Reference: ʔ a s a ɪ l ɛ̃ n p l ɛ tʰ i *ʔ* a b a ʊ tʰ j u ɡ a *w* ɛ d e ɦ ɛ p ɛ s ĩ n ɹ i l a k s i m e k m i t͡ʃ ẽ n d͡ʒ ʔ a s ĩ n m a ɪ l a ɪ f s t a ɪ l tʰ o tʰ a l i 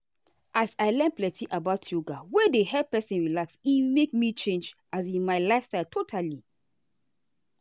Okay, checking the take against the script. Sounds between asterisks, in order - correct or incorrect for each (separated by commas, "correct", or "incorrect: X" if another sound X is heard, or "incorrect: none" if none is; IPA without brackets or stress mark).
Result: correct, correct